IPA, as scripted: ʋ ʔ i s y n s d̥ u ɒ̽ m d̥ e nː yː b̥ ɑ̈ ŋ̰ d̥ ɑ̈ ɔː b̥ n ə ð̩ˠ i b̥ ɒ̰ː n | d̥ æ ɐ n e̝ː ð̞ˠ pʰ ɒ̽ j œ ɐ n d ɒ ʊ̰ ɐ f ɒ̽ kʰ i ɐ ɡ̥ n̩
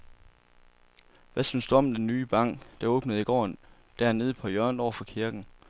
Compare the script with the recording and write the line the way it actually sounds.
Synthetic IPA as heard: ʋ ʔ æ s y n s d̥ u ɒ̽ m d̥ e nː yː b̥ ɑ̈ ŋ̰ d̥ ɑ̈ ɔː b̥ n ə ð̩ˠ i ɡ̥ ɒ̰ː n | d̥ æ ɐ n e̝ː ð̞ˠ pʰ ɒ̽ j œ ɐ n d ɒ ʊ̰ ɐ f ɒ̽ kʰ i ɐ ɡ̥ n̩